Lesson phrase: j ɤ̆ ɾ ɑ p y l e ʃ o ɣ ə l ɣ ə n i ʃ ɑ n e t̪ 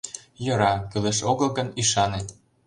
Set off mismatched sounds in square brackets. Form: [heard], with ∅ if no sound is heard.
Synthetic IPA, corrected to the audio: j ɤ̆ ɾ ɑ [k] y l e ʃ o ɣ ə l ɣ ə n i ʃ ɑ n e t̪